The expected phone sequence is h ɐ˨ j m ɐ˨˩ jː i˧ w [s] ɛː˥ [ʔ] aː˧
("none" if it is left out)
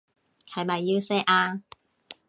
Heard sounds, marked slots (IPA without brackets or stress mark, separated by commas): s, ʔ